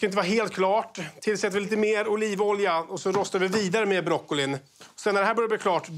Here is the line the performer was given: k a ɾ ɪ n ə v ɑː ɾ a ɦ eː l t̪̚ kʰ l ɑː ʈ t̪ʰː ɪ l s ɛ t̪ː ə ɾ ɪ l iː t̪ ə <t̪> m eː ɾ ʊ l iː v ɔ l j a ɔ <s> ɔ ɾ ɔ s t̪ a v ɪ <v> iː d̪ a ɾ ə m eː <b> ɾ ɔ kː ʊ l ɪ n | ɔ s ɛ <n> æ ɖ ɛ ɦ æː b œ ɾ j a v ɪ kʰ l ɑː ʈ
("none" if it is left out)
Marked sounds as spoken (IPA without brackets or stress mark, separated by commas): none, s, v, b, nː